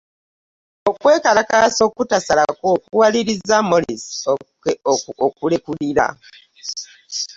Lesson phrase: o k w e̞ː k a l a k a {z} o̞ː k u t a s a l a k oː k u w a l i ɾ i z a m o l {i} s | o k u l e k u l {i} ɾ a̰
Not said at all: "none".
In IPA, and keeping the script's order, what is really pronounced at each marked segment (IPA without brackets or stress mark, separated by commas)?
s, i, i